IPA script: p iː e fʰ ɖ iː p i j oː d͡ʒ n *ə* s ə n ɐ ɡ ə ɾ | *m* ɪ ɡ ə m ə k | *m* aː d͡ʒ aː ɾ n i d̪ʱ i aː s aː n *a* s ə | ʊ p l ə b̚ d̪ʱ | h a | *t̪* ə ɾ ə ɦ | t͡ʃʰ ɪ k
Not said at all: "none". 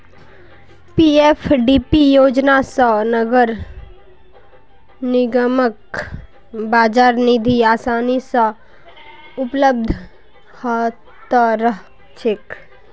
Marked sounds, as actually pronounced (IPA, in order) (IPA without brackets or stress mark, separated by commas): a, n, b, i, t̪